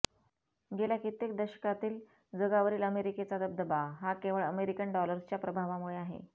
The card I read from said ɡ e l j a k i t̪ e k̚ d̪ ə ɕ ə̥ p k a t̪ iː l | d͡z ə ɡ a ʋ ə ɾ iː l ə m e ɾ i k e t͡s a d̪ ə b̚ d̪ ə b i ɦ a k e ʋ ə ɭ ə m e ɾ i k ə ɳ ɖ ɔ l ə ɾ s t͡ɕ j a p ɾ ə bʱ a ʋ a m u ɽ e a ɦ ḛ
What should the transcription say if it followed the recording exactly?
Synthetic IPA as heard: ɡ e l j a k i t̪ e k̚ d̪ ə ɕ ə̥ k a t̪ iː l | d͡z ə ɡ a ʋ ə ɾ iː l ə m e ɾ i k e t͡s a d̪ ə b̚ d̪ ə b a ɦ a k e ʋ ə ɭ ə m e ɾ i k ə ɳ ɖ ɔ l ə ɾ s t͡ɕ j a p ɾ ə bʱ a ʋ a m u ɭ e a ɦ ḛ